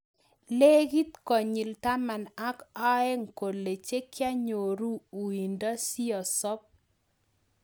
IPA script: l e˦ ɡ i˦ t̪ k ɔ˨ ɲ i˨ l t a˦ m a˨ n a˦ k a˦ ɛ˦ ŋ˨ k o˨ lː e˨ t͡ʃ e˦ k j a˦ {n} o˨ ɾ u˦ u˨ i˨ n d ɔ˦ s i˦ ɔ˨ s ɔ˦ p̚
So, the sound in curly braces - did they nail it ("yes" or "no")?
no